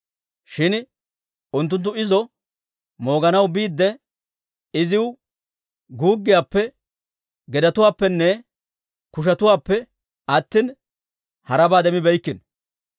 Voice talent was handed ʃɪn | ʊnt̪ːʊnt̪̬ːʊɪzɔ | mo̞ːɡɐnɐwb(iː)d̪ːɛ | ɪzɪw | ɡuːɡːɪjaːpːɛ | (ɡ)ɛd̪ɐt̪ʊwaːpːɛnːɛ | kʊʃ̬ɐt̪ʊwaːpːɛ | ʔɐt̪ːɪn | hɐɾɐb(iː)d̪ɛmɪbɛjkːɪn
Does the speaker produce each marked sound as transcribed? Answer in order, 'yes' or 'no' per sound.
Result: yes, yes, no

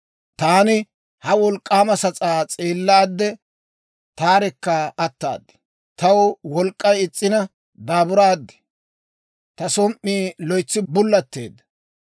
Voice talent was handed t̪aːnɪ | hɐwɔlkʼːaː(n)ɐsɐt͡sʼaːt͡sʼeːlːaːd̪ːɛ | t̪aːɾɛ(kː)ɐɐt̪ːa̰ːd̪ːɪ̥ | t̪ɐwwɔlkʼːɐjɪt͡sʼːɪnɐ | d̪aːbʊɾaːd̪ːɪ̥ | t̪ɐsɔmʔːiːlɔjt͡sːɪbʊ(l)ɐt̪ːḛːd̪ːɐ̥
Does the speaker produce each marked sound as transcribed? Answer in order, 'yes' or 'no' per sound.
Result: no, yes, no

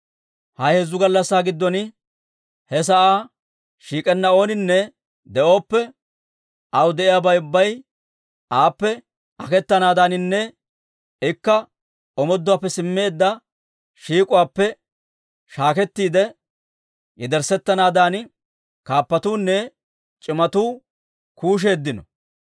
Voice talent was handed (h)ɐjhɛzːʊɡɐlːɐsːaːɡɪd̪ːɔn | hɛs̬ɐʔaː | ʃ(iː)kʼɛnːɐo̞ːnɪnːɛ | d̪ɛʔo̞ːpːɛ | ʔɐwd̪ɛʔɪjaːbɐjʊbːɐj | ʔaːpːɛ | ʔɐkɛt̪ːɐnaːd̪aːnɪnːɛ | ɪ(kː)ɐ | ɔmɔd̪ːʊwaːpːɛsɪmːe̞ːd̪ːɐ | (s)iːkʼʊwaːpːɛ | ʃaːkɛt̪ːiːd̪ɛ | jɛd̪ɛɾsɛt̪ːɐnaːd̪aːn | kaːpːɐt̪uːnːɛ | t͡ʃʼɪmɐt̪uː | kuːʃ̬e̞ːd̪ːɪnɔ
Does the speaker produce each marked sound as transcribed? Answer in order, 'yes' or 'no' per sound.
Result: yes, yes, yes, no

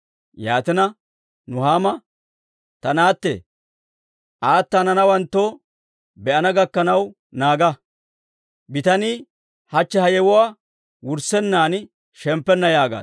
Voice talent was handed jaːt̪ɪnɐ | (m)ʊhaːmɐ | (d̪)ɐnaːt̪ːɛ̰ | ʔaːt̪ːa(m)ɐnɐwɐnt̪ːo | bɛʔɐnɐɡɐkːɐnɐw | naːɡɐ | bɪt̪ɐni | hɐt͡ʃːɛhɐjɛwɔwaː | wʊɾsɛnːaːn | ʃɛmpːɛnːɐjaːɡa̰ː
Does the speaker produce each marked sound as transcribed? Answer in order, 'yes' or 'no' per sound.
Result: no, no, no

